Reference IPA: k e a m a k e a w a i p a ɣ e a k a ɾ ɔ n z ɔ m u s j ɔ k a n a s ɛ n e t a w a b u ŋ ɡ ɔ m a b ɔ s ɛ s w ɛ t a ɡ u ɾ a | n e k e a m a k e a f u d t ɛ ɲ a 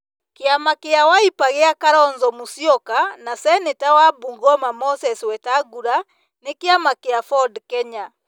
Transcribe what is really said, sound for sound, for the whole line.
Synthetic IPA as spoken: k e a m a k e a w a i p a ɣ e a k a ɾ ɔ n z ɔ m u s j ɔ k a n a s ɛ n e t a w a b u ŋ ɡ ɔ m a m ɔ s ɛ s w ɛ t a ɡ u ɾ a | n e k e a m a k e a f ɔ d k ɛ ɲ a